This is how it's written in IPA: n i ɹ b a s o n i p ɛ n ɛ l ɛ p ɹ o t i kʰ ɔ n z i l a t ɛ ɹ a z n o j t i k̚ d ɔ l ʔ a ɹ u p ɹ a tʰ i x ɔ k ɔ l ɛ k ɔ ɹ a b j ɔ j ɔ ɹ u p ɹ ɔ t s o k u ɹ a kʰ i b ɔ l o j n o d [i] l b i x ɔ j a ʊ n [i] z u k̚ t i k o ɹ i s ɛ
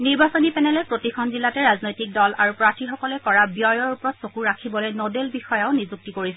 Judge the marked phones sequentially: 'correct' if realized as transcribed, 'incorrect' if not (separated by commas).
incorrect, correct